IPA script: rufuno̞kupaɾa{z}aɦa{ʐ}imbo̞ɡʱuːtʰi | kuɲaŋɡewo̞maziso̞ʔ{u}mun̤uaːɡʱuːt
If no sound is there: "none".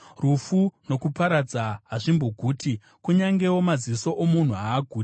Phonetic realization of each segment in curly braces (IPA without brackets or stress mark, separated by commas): d͡z, ʐ, o